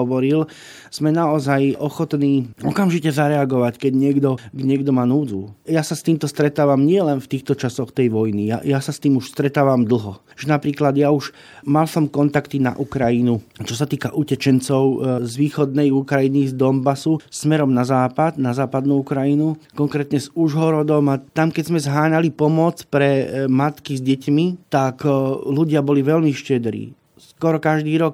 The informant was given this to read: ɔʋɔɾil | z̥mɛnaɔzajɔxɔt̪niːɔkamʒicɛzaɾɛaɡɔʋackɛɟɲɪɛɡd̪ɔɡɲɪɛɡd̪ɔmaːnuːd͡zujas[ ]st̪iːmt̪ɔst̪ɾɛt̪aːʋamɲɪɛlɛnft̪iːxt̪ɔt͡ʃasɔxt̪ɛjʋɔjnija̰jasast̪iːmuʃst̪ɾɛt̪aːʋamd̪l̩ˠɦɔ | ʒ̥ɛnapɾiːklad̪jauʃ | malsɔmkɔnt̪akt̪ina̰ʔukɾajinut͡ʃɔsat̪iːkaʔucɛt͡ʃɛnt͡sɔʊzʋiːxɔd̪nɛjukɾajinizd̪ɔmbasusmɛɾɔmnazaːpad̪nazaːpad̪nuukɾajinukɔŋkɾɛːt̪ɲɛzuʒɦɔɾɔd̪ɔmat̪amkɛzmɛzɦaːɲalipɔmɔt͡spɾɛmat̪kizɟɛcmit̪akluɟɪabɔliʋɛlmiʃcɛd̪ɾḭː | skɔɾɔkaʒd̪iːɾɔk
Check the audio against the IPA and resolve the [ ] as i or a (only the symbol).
a